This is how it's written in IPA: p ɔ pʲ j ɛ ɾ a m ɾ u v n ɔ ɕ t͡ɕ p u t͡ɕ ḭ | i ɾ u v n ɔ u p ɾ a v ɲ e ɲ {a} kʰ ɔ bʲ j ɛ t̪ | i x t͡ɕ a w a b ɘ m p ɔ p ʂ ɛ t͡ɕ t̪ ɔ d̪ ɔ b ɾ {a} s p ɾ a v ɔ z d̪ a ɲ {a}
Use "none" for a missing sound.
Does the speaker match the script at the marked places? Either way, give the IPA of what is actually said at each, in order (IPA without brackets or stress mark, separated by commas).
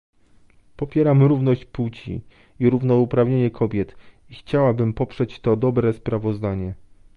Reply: ɛ, ɛ, ɛ